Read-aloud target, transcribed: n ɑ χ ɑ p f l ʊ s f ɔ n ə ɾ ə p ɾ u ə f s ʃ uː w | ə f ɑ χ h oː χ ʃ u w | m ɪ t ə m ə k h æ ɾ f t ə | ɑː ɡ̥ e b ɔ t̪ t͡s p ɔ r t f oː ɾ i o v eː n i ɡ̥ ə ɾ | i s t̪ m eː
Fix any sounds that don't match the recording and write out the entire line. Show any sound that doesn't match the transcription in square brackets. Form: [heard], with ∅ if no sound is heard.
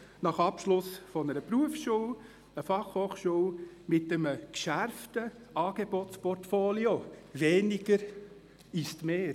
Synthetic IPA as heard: n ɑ χ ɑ p [ʃ] l ʊ s f ɔ n ə ɾ ə p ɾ u ə f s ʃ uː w | ə f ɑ χ h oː χ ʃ u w | m ɪ t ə m ə k [ʃ] æ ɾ f t ə | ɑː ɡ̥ e b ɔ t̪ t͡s p ɔ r t f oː [l] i o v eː n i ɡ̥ ə ɾ | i s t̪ m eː